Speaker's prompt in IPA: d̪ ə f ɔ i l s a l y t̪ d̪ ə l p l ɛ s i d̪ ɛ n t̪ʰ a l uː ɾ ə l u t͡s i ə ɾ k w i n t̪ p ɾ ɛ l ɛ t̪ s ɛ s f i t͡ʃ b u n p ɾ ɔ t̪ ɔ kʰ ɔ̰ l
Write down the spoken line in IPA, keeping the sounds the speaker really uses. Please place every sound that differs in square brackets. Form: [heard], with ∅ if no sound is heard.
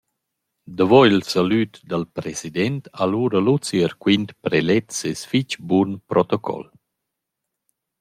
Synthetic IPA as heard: d̪ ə [v] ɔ i l s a l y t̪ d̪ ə l p [ɾ] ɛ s i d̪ ɛ n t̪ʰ a l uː ɾ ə l u t͡s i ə ɾ k w i n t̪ p ɾ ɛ l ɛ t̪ s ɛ s f i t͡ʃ b u n p ɾ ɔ t̪ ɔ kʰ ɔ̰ l

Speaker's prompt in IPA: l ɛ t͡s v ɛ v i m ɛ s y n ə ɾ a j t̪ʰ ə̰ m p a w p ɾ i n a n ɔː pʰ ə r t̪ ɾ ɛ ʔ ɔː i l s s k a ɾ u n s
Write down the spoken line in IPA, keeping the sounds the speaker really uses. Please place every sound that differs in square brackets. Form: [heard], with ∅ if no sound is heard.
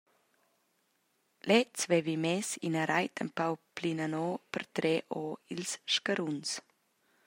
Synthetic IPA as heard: l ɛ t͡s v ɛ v i m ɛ s [i] n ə ɾ a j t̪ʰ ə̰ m p a w p [l] i n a n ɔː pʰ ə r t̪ ɾ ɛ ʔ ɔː i l s [ʃ] k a ɾ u n s

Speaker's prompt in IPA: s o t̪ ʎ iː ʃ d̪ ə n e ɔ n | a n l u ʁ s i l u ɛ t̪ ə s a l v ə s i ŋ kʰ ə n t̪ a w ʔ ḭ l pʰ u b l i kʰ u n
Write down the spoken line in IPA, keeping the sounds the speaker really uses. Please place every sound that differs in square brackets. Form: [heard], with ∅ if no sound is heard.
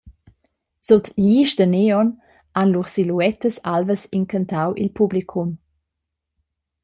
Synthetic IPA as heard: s o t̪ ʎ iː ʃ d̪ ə n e ɔ n | a n l u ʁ s i l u ɛ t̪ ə s a l v ə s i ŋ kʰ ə n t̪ a w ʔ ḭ l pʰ u b l i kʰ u [m]

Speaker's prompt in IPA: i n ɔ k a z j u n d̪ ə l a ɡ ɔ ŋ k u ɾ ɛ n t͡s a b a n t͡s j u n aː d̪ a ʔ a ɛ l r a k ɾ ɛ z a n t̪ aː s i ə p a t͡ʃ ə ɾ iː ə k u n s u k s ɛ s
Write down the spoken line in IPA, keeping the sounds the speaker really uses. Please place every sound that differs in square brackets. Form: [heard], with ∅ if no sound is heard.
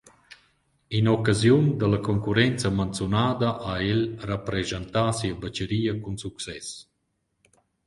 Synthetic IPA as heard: i n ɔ k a z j u n d̪ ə l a [k] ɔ ŋ k u ɾ ɛ n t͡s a [m] a n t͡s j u n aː d̪ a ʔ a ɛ l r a [p] ɾ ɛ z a n t̪ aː s i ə [b] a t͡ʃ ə ɾ iː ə k u n s u k s ɛ s

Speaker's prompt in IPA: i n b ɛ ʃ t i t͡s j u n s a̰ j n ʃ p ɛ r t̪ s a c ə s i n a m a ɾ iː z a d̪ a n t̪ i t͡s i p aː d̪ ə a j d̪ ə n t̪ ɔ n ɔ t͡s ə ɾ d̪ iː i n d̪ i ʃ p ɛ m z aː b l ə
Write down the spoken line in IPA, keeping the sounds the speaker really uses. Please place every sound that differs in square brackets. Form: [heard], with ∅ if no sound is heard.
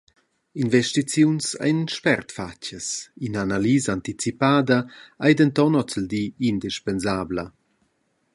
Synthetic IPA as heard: i n [v] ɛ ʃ t i t͡s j u n s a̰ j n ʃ p ɛ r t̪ [f] a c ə s i n a [n] a [l] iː z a [∅] a n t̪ i t͡s i p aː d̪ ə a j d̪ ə n t̪ ɔ n ɔ t͡s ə [l] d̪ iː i n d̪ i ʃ p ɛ [n] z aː b l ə

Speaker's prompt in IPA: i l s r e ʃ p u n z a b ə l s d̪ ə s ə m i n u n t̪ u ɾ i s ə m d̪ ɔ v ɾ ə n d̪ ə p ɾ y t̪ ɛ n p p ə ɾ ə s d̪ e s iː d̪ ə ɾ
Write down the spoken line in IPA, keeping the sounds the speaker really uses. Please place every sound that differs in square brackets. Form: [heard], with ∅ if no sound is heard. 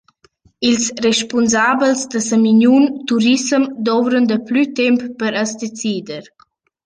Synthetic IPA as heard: i l s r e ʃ p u n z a b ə l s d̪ ə s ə m i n u n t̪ u ɾ i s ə m d̪ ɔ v ɾ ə n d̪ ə p [l] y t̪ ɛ [m] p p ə ɾ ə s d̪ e [t͡s] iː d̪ ə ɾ

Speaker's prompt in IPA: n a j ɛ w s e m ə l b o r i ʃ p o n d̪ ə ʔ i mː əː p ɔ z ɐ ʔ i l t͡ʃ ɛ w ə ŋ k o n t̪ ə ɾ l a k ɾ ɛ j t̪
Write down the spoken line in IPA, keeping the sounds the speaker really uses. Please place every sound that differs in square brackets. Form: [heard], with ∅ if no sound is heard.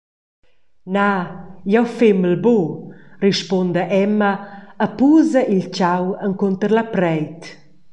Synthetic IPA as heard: n a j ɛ w [f] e m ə l b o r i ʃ p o n d̪ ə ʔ [ɛ] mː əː p [u] z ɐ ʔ i l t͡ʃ [a] w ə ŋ k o n t̪ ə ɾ l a [p] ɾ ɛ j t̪

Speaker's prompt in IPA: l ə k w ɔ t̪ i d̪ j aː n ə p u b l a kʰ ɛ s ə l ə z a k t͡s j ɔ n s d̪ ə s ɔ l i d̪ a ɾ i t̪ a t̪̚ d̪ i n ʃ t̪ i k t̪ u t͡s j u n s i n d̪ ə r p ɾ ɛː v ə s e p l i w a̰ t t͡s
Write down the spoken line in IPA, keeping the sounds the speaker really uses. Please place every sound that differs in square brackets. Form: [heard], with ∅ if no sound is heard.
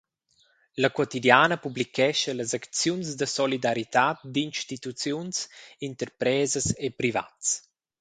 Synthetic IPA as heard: l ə k w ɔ t̪ i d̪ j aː n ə p u b l [i] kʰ ɛ [ʃ] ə l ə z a k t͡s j [u] n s d̪ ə s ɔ l i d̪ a ɾ i t̪ a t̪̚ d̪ i n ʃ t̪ i [∅] t̪ u t͡s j u n s i n [t̪] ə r p ɾ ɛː [z] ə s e p [ɾ] i [v] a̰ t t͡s

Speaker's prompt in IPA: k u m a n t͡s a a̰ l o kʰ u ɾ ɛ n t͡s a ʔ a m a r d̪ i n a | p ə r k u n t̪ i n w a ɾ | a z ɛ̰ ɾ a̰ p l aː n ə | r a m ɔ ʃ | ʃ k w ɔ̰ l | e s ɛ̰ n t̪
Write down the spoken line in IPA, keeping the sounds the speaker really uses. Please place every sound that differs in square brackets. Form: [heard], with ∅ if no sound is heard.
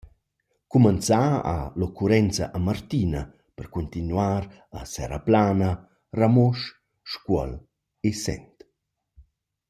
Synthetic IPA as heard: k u m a n t͡s a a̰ l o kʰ u ɾ ɛ n t͡s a ʔ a m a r [t̪] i n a | p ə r k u n t̪ i n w a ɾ | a [s] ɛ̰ ɾ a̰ p l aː n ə | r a m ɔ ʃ | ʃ k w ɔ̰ l | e s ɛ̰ n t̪

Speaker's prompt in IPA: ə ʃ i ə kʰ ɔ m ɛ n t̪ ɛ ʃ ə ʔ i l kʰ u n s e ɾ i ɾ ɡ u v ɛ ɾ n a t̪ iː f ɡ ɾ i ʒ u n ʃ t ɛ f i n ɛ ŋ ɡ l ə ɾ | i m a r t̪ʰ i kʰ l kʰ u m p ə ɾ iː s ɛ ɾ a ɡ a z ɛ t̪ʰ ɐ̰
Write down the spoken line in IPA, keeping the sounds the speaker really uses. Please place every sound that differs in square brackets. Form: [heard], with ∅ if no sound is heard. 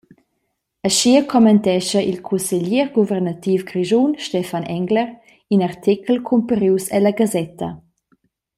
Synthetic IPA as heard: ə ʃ i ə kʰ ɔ m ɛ n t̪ ɛ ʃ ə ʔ i l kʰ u n s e [ʎ] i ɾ ɡ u v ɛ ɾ n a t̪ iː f ɡ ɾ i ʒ u n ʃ t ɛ f [a] n ɛ ŋ ɡ l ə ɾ | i [n] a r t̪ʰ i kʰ l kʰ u m p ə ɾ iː s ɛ [l] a ɡ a z ɛ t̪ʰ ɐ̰

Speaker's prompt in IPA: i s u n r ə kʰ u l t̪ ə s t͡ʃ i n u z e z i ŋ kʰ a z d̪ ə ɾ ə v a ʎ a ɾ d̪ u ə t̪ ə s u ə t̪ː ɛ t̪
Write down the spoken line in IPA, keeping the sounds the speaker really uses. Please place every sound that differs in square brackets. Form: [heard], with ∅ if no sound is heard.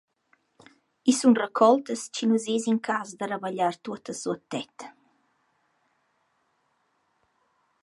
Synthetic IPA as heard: i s u n r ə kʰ [ɔ] l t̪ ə s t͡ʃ i n u z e z i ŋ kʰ a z d̪ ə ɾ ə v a ʎ a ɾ [t̪] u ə t̪ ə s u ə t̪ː ɛ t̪

